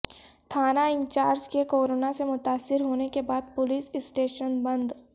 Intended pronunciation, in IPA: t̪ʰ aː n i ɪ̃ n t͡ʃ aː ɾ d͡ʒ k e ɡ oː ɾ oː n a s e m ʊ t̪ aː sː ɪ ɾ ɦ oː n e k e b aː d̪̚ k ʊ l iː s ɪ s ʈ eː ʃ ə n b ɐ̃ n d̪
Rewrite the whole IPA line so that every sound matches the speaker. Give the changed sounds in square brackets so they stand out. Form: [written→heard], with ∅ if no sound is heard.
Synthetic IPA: t̪ʰ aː n [i→a] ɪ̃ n t͡ʃ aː ɾ d͡ʒ k e [ɡ→k] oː ɾ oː n a s e m ʊ t̪ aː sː ɪ ɾ ɦ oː n e k e b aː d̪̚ [k→p] ʊ l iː s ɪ s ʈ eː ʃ ə n b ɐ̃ n d̪